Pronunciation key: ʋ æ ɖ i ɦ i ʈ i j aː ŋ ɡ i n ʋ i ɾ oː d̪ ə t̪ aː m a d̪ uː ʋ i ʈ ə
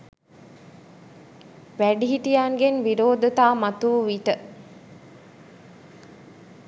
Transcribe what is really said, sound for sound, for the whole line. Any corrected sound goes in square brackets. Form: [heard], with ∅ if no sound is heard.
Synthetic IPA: ʋ æ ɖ i ɦ i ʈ i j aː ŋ ɡ [e] n ʋ i ɾ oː d̪ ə t̪ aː m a [t̪] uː ʋ i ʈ ə